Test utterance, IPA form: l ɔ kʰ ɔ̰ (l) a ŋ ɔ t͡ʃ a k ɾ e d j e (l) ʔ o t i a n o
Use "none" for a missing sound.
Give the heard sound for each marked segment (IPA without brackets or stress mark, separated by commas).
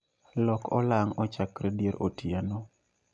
l, ɾ